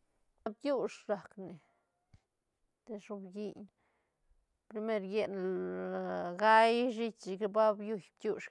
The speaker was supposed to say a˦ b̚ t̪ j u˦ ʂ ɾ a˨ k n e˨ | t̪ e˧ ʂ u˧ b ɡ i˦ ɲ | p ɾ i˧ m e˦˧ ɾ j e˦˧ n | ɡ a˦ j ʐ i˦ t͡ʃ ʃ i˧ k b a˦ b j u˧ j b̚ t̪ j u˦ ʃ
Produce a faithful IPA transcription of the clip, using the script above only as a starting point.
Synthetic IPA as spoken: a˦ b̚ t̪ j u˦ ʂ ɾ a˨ k n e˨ | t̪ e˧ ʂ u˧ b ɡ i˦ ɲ | p ɾ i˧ m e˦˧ ɾ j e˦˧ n | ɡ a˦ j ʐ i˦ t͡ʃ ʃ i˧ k b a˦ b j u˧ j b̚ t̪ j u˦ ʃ